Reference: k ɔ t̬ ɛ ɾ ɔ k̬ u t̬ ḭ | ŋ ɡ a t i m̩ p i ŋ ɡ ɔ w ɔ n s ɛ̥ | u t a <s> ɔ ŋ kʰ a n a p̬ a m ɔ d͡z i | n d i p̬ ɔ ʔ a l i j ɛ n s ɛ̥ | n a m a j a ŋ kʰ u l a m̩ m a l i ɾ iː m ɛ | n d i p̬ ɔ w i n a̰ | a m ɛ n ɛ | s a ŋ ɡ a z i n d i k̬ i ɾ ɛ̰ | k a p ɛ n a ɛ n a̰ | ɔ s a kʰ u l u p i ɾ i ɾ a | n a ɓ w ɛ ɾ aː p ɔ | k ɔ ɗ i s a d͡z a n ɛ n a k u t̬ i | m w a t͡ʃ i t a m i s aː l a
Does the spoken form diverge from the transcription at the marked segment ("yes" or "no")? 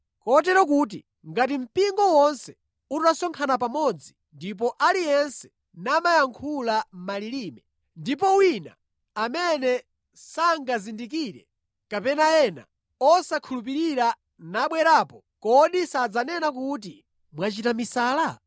no